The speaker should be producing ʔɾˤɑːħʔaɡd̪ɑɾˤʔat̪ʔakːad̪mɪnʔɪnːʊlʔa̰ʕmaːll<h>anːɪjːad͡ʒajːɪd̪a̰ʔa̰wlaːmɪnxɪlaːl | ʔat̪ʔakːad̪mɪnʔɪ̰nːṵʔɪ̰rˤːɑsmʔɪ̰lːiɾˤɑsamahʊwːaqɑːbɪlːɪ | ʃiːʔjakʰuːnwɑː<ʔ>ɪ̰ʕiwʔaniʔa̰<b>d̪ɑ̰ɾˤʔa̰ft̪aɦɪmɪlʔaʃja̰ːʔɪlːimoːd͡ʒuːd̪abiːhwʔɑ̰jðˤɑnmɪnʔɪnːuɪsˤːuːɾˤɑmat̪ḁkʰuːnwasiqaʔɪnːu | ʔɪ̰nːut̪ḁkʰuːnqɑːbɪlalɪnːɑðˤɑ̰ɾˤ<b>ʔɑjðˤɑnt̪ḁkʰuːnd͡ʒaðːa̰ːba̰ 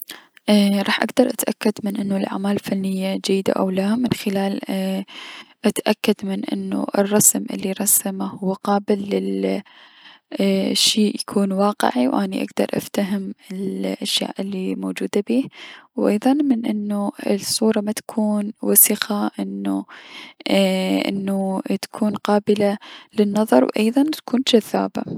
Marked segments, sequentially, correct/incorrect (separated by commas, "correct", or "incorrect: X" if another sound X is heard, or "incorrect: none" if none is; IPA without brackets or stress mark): incorrect: f, incorrect: q, incorrect: ɡ, incorrect: w